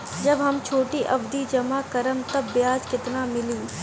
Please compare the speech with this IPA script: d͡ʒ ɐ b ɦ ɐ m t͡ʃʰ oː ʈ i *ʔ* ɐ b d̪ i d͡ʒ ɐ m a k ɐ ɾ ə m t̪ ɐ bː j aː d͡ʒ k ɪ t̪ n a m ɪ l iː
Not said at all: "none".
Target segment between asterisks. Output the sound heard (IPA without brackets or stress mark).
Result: ʔ